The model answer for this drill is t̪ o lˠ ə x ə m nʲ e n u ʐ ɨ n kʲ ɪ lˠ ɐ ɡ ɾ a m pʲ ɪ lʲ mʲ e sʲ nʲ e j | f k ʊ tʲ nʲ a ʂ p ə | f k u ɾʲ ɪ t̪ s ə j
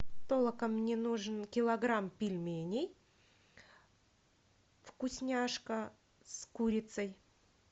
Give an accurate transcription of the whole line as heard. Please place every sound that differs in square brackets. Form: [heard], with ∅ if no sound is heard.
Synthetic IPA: t̪ o lˠ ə [k] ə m nʲ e n u ʐ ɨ n kʲ ɪ lˠ ɐ ɡ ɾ a m pʲ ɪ lʲ mʲ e [∅] nʲ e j | f k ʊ [sʲ] nʲ a ʂ [k] ə | [s] k u ɾʲ ɪ t̪ s ə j